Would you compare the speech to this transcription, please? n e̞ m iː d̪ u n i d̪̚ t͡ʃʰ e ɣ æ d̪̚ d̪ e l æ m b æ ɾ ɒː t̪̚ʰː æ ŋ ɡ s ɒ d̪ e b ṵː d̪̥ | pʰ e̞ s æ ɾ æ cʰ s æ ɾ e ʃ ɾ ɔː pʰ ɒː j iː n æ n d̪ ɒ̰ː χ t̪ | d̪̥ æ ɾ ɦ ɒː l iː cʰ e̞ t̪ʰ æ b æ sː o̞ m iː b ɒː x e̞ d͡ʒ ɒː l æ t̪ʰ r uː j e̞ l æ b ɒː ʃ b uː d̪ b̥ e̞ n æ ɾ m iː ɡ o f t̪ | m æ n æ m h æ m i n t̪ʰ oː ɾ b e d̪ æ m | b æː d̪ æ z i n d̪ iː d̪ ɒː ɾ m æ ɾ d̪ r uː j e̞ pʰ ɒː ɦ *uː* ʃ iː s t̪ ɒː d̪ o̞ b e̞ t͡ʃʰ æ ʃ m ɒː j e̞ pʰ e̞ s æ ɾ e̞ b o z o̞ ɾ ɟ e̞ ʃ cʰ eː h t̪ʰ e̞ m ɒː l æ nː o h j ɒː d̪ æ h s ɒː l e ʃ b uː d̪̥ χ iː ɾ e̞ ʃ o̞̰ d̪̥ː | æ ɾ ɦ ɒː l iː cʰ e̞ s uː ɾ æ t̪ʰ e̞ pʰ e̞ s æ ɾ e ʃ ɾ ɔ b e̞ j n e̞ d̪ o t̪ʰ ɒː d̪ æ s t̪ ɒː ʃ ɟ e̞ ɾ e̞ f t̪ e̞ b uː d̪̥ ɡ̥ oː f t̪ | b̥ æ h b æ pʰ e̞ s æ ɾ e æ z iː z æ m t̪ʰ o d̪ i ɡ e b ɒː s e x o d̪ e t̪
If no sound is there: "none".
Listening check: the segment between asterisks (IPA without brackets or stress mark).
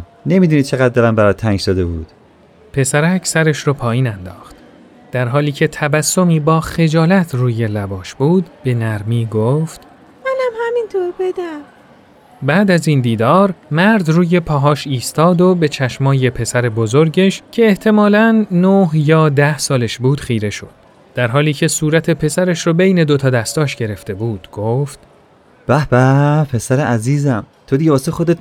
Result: ɒː